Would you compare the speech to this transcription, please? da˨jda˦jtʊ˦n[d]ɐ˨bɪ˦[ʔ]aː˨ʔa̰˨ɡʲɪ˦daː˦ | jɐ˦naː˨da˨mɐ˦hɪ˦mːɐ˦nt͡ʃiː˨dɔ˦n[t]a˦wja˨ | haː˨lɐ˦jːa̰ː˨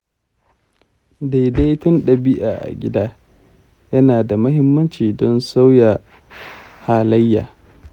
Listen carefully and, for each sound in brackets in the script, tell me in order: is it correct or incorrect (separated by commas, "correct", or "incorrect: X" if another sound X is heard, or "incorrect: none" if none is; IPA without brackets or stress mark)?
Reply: incorrect: ɗ, correct, incorrect: s